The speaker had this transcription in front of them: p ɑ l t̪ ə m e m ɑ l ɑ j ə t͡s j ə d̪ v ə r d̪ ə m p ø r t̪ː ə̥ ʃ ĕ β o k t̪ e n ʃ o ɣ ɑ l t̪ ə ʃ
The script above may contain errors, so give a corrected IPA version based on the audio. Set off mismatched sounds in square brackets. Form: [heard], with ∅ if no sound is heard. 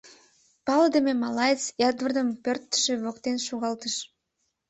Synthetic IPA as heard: p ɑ l [d̪] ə m e m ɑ l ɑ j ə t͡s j [ɑ] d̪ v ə r d̪ ə m p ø r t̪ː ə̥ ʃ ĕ β o k t̪ e n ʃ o ɣ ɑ l t̪ ə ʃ